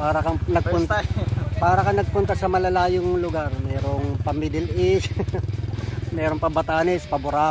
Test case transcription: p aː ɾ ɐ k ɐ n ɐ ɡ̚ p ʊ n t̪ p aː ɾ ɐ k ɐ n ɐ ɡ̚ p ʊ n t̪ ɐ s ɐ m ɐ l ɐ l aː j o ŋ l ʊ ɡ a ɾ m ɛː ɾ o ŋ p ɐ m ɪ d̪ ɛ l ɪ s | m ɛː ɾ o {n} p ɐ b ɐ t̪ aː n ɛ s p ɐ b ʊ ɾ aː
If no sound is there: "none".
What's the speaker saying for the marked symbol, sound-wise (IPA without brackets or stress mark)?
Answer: ŋ